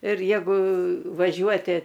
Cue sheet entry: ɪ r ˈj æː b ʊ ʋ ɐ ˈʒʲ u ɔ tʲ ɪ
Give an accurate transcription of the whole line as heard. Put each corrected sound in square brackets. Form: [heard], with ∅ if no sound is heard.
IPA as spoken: ɪ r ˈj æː [ɡ] ʊ ʋ ɐ ˈʒʲ u ɔ tʲ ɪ